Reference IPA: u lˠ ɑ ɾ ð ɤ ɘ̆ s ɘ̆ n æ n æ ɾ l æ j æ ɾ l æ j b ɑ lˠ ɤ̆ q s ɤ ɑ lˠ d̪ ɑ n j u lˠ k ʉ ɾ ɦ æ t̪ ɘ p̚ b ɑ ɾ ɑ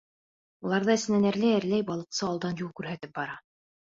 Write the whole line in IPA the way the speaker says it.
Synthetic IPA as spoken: u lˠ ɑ ɾ ð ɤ ɘ̆ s ɘ̆ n æ n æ ɾ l æ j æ ɾ l æ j b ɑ lˠ ɤ̆ q s ɤ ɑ lˠ d̪ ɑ n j u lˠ k ʉ ɾ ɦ æ t̪ ɘ p̚ b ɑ ɾ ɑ